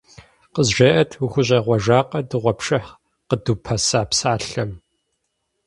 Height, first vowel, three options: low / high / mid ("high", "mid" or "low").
mid